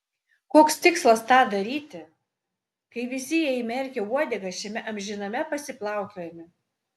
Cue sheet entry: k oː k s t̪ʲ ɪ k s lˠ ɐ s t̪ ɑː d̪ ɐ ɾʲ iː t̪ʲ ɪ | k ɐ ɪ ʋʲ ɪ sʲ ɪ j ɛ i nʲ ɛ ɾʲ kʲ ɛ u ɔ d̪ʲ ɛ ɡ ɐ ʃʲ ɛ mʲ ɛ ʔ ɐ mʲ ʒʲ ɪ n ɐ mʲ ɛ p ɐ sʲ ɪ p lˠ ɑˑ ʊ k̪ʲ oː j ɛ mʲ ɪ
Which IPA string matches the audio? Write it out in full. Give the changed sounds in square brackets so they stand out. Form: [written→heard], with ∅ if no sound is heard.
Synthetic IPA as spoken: k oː k s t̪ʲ ɪ k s lˠ ɐ s t̪ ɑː d̪ ɐ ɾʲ iː t̪ʲ ɪ | k ɐ ɪ ʋʲ ɪ sʲ ɪ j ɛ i [nʲ→mʲ] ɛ ɾʲ kʲ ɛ u ɔ d̪ʲ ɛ ɡ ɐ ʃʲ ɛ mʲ ɛ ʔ ɐ mʲ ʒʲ ɪ n ɐ mʲ ɛ p ɐ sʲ ɪ p lˠ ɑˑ ʊ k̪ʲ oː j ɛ mʲ ɪ